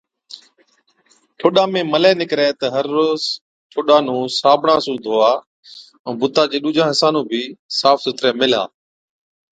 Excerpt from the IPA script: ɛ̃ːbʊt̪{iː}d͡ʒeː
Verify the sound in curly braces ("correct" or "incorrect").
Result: incorrect